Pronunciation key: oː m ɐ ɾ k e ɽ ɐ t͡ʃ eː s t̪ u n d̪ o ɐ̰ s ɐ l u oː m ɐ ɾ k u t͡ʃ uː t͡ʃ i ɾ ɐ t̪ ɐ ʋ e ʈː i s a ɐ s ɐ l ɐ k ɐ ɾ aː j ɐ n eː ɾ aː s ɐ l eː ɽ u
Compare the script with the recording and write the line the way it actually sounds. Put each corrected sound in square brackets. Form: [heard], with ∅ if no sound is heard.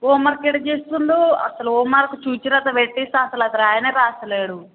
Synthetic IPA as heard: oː m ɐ ɾ k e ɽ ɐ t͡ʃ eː s t̪ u n d̪ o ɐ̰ s ɐ l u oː m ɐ ɾ k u t͡ʃ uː t͡ʃ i ɾ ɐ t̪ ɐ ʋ e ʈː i s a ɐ s ɐ l ɐ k ɐ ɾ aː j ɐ n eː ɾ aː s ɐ l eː ɽ u